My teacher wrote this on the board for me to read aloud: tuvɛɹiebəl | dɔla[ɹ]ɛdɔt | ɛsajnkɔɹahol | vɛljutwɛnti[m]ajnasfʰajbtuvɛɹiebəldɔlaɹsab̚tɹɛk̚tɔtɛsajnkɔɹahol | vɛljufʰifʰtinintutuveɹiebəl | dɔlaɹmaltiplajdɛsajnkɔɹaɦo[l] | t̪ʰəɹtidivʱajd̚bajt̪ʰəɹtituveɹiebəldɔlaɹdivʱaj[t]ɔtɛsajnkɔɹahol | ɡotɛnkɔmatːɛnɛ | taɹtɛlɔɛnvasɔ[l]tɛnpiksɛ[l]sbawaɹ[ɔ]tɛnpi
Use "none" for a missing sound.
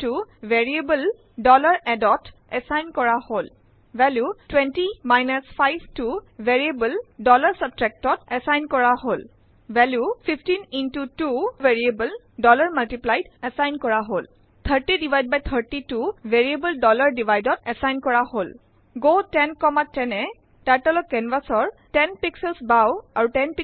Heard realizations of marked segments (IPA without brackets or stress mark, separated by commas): ɹ, m, l, d, ɹ, l, u